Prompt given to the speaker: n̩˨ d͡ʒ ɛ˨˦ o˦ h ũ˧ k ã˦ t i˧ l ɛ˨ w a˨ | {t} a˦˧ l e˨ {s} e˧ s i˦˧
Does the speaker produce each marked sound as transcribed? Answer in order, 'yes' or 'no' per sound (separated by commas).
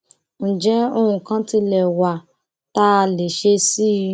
yes, no